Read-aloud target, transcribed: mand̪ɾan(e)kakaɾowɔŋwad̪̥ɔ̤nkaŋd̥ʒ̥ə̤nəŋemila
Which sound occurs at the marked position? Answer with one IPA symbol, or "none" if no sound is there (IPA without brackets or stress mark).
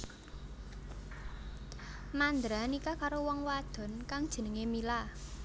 i